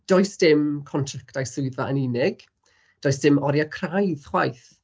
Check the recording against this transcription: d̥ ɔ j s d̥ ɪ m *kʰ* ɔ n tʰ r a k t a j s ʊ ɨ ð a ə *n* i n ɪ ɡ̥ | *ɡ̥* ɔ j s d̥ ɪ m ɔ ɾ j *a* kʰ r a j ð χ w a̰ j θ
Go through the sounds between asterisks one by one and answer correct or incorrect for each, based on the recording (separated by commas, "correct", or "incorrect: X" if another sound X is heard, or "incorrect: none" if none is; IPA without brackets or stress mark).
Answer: correct, correct, incorrect: d̥, correct